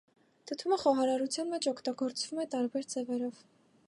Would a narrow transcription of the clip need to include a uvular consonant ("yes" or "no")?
yes